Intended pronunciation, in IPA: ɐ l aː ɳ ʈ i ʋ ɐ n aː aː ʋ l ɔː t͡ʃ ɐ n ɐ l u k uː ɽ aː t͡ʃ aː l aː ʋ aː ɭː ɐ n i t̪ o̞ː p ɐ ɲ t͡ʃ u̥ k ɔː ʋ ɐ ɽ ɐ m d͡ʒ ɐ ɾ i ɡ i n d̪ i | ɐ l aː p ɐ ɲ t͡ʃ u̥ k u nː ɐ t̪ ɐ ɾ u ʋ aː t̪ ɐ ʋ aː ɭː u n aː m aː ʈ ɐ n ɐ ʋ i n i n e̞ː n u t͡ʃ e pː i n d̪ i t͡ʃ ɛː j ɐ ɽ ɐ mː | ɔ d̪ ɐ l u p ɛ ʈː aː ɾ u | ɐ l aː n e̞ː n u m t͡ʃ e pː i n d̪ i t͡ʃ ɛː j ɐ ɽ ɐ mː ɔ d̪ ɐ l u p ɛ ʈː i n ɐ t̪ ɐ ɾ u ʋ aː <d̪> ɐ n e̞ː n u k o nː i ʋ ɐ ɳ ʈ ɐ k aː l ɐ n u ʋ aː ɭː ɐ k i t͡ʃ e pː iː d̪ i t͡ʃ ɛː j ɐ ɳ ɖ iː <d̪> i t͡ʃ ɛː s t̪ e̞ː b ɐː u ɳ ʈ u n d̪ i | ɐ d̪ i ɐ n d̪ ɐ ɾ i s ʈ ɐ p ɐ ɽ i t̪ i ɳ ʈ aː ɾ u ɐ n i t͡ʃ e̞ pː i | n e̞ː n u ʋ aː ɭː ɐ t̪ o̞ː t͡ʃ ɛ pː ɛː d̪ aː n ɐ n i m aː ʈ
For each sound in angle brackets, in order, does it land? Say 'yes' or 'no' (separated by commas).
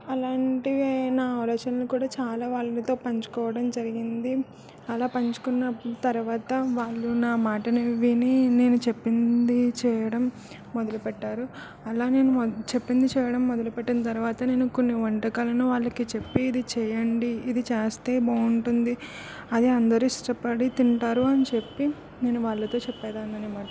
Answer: no, yes